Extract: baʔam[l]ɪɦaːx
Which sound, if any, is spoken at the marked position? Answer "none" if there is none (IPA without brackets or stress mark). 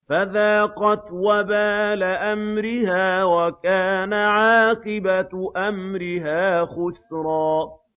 ɾ